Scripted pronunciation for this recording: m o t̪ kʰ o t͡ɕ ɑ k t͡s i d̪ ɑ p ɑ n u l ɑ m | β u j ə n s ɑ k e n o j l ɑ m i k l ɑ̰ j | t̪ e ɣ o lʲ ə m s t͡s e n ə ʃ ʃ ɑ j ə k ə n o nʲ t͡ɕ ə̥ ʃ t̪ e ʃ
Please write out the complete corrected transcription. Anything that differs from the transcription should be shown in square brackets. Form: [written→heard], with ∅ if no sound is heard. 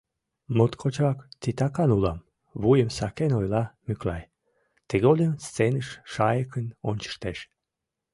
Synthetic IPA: m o t̪ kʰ o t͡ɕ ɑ k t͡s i [d̪→t̪] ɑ [p→k] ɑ n u l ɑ m | β u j ə [n→m] s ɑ k e n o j l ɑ m [i→y] k l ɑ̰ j | t̪ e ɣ o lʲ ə m s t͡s e n ə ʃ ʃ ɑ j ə k ə n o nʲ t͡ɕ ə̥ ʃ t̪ e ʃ